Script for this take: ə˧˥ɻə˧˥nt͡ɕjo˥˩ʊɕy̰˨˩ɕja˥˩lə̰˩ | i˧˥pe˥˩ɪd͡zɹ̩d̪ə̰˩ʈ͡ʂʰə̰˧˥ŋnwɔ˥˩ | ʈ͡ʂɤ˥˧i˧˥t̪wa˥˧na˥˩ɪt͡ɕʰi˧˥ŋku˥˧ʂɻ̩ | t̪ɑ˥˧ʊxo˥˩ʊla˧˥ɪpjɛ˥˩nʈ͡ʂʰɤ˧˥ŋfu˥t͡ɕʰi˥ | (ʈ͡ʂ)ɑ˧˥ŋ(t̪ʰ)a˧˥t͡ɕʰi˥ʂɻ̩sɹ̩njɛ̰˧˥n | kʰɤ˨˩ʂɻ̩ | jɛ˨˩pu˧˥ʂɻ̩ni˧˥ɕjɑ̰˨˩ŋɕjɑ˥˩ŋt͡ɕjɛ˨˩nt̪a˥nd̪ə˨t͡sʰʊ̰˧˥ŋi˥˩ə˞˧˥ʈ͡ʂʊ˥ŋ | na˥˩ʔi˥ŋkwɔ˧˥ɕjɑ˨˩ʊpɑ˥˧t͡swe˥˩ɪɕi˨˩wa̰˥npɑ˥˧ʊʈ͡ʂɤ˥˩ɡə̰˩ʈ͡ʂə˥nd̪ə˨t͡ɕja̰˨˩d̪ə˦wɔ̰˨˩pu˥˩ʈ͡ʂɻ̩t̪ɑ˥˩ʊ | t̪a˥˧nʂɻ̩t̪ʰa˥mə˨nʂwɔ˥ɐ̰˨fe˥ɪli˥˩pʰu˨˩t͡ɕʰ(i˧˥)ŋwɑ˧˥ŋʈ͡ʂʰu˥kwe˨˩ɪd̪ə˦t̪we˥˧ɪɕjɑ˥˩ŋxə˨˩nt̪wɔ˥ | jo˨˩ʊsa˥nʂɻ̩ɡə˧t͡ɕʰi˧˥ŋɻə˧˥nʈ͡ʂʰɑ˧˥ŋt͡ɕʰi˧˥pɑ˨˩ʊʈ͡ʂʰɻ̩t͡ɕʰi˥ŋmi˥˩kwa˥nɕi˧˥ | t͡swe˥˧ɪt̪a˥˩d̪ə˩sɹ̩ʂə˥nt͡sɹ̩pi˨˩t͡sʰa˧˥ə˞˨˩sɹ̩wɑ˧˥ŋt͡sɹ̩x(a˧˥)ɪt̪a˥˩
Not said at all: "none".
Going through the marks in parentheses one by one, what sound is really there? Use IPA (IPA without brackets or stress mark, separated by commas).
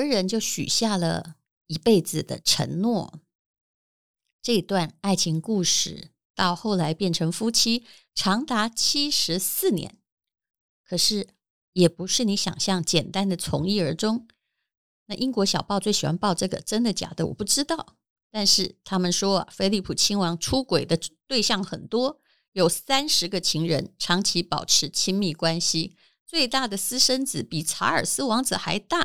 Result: ʈ͡ʂʰ, t̪, i˥, a˧˥